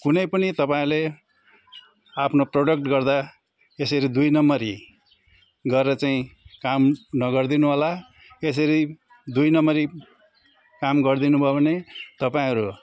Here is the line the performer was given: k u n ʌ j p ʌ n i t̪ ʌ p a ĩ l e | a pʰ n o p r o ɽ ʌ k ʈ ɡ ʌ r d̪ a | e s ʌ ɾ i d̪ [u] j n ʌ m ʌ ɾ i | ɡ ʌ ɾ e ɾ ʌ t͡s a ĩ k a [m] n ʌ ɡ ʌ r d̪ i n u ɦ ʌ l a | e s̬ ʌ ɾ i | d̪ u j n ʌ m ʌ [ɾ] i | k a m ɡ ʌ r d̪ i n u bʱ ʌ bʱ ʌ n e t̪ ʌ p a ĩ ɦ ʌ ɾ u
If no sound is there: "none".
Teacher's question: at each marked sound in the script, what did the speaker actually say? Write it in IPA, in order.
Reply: u, m, ɾ

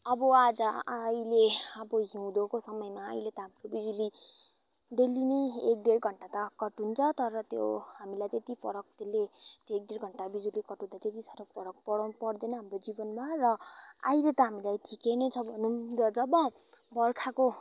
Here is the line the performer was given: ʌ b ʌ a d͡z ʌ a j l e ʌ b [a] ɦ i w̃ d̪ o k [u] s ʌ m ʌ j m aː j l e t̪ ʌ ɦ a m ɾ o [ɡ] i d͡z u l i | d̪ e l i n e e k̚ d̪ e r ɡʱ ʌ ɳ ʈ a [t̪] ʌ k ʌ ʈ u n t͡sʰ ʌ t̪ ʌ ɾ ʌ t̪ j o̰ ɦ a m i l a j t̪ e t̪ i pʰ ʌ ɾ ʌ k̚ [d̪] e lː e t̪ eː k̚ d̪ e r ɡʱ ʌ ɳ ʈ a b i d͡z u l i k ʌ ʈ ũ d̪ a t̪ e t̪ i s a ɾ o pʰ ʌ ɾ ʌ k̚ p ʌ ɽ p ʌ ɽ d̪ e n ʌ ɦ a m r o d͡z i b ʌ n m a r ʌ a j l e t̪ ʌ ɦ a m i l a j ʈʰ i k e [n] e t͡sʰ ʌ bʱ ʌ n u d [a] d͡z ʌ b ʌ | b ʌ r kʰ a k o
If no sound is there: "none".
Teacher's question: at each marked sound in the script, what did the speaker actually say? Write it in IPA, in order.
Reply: ʌ, o, b, t̪, t̪, n, ʌ

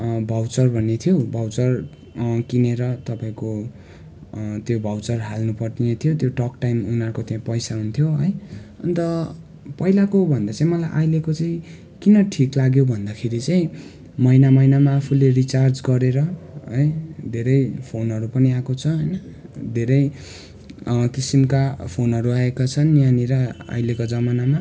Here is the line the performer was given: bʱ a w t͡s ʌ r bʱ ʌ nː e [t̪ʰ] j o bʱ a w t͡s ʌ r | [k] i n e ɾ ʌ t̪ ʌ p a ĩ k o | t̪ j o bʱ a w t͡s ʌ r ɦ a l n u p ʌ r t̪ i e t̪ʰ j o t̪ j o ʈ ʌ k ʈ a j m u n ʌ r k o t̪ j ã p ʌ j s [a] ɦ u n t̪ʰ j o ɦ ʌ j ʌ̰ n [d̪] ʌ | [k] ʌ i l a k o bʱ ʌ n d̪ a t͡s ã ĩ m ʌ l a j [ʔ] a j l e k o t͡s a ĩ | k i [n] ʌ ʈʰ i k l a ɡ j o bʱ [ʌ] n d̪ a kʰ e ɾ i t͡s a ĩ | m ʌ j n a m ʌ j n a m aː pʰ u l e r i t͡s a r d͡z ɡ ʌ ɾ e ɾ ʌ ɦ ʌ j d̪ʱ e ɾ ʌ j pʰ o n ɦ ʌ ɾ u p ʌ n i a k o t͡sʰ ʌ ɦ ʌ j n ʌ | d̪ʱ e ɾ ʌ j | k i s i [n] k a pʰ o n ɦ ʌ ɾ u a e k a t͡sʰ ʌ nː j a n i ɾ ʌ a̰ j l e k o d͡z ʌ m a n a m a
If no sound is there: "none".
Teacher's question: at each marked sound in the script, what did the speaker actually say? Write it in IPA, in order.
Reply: t̪ʰ, k, a, t̪, p, ʔ, n, ʌ, m

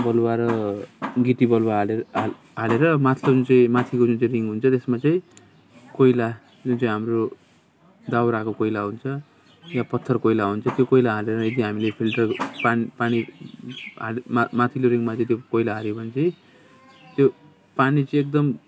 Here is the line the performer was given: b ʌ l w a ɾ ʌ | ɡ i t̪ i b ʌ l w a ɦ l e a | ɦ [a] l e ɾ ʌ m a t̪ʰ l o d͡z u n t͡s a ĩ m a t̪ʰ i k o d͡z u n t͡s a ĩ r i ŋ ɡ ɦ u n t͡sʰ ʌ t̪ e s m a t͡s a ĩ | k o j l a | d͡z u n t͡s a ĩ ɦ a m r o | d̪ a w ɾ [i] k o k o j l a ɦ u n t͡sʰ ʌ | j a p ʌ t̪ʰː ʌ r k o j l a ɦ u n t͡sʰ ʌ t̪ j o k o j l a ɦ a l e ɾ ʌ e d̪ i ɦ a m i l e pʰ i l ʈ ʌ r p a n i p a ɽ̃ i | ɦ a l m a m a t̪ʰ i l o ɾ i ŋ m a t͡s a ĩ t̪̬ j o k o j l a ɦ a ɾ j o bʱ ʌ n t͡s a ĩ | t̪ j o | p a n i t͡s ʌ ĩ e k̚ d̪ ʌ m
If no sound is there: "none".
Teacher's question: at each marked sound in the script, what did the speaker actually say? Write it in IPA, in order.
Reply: a, a

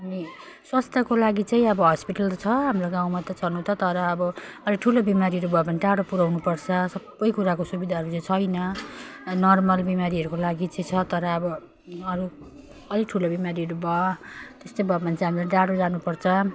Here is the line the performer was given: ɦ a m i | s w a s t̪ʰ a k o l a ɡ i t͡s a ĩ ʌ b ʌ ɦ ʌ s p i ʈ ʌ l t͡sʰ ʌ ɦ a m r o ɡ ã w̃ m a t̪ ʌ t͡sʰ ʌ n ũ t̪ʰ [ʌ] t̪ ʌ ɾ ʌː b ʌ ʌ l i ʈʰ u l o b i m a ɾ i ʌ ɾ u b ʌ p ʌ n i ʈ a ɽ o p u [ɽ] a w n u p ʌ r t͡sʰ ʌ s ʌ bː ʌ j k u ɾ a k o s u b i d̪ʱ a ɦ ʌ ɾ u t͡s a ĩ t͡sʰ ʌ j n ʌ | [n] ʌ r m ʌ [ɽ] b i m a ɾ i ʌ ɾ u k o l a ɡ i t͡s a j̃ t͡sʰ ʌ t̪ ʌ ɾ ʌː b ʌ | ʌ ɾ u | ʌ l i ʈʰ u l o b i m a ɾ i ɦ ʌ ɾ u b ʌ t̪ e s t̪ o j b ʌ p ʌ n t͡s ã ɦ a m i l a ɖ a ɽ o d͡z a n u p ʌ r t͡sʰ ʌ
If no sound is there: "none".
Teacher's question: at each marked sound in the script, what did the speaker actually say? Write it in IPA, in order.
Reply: ʌ, ɾ, n, l

